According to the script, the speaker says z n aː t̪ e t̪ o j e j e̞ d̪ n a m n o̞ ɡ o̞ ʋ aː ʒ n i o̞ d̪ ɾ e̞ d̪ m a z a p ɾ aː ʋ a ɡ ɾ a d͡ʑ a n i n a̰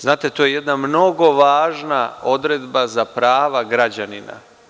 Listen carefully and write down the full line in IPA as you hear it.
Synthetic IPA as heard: z n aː t̪ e t̪ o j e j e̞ d̪ n a m n o̞ ɡ o̞ ʋ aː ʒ n a o̞ d̪ ɾ e̞ d̪ b a z a p ɾ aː ʋ a ɡ ɾ a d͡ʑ a n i n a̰